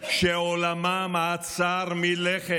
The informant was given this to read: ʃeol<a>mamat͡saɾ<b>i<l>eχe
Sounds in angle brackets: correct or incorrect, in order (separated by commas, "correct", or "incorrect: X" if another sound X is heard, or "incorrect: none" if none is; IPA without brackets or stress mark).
correct, incorrect: m, correct